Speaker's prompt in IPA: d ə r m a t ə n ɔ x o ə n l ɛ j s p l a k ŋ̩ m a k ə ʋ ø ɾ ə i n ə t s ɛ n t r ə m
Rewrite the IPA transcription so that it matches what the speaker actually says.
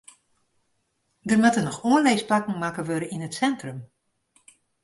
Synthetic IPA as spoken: d ə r m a t ə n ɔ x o ə n l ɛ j s p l a k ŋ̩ m a k ə ʋ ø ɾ ə i n ə t s ɛ n t r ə m